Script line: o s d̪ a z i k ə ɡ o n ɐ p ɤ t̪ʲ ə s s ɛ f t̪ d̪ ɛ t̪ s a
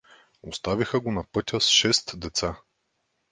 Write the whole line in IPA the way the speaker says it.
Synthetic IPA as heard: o s t̪ a v i x ə ɡ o n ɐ p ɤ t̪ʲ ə s ʃ ɛ s t̪ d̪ ɛ t̪ s a